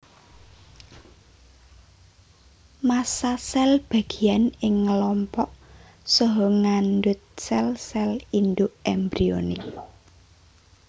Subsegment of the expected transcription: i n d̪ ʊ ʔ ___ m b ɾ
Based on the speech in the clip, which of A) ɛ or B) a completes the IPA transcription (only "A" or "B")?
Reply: A